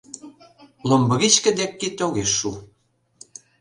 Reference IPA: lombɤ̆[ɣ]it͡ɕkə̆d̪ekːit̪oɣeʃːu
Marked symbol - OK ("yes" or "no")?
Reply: yes